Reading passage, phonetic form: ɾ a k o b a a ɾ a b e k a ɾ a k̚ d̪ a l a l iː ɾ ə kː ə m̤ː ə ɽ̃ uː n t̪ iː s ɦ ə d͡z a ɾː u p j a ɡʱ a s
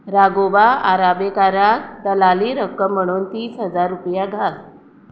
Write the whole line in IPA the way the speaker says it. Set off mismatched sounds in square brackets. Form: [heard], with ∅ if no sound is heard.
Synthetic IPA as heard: ɾ a [ɡ] o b a a ɾ a b e k a ɾ a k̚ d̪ [ə] l a l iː ɾ ə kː ə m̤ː ə ɽ̃ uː n t̪ iː s ɦ ə d͡z a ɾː u p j a ɡʱ a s